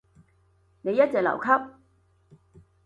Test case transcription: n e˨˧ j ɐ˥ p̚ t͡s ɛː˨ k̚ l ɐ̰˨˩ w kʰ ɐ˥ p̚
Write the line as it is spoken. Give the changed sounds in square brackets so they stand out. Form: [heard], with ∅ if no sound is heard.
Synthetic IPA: n e˨˧ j ɐ˥ [t̚] t͡s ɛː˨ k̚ l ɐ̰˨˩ w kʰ ɐ˥ p̚